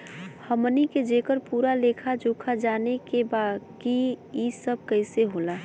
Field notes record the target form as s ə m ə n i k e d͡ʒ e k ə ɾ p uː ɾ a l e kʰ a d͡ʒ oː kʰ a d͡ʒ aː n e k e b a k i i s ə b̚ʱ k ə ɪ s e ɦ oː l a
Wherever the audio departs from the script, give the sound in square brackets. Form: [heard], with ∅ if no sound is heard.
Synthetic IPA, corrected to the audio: [h] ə m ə n i k e d͡ʒ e k ə ɾ p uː ɾ a l e kʰ a d͡ʒ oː kʰ a d͡ʒ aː n e k e b a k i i s ə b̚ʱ k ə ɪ s e ɦ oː l a